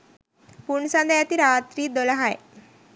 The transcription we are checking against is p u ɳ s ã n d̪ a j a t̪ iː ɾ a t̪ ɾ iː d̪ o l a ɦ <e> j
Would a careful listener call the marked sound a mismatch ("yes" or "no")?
yes